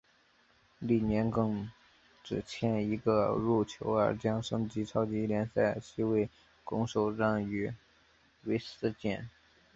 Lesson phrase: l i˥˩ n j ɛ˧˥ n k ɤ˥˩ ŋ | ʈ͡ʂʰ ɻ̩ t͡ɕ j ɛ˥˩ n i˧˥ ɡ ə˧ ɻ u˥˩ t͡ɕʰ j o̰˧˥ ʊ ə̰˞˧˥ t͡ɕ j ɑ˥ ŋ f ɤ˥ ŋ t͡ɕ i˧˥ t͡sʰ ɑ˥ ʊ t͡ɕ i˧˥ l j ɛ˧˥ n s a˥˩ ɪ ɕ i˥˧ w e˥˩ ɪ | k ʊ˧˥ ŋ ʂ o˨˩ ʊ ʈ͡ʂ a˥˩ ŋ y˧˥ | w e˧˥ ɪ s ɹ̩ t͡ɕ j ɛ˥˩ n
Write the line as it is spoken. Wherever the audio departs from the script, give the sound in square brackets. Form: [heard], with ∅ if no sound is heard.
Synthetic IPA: l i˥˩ n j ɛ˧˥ n k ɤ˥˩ ŋ | [ʈ͡ʂ] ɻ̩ [t͡ɕʰ] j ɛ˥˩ n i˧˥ ɡ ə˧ ɻ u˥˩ t͡ɕʰ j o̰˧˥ ʊ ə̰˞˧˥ t͡ɕ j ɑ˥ ŋ [ʂ] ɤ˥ ŋ t͡ɕ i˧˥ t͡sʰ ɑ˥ ʊ t͡ɕ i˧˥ l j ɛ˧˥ n s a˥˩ ɪ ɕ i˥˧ w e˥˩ ɪ | k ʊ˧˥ ŋ ʂ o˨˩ ʊ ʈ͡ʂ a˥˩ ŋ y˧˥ | w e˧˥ ɪ s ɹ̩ t͡ɕ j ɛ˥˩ n